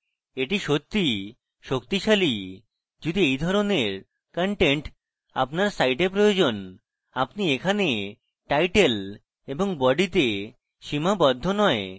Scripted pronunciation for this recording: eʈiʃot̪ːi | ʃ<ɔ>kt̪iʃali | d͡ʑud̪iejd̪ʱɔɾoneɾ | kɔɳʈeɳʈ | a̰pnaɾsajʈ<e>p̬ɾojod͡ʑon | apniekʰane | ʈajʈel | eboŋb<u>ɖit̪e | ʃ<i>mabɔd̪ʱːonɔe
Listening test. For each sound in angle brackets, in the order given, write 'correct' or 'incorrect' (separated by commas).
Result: incorrect, correct, incorrect, correct